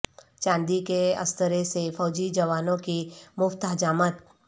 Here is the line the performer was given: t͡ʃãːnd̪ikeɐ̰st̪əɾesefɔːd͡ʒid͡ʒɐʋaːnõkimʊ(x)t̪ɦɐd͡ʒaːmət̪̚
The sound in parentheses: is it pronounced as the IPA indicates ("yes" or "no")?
no